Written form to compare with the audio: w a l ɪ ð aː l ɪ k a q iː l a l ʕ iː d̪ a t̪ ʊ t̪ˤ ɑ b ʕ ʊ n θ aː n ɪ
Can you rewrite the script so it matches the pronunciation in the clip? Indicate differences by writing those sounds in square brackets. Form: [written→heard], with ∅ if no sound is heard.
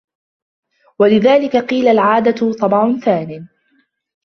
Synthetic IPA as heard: w a l ɪ ð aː l ɪ k a q iː l a l ʕ [iː→aː] d̪ a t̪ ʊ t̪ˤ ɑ b ʕ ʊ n θ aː n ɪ